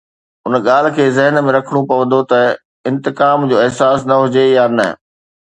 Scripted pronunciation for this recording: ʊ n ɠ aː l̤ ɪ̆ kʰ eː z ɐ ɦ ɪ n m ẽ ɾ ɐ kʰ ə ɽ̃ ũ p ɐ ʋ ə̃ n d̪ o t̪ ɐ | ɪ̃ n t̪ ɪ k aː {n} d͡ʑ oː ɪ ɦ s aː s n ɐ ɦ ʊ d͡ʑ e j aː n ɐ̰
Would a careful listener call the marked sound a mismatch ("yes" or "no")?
yes